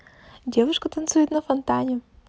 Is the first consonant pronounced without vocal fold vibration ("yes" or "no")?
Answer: no